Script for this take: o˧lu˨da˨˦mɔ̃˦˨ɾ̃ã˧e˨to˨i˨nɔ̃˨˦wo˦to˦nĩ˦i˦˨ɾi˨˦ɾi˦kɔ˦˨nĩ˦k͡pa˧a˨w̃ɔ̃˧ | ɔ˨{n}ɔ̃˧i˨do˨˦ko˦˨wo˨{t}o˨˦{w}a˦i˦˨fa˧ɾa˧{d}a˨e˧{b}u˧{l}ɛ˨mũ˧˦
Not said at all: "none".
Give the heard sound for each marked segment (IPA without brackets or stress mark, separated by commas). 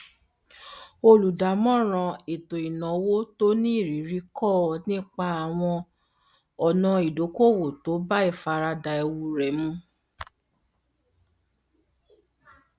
n, t, b, d, w, ɾ